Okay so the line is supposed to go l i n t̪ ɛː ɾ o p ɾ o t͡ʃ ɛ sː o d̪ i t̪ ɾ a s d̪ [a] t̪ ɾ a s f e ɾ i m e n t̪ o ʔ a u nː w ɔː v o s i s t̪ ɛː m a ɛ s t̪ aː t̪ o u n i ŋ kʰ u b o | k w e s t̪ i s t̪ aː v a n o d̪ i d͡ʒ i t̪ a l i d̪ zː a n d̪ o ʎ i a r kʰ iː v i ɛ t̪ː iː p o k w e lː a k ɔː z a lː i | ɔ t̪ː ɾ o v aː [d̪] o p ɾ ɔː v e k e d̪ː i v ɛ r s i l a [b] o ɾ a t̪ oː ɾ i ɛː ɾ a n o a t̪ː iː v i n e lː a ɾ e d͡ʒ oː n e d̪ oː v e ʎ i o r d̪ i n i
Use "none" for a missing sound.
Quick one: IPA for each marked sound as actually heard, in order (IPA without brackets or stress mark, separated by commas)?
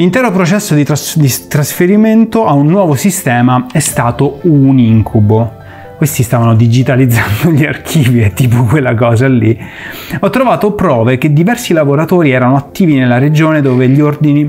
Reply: i, t̪, v